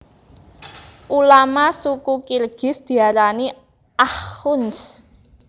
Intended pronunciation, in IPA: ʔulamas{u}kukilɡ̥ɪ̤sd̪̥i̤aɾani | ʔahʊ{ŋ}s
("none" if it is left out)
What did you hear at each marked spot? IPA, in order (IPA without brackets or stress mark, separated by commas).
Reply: u, n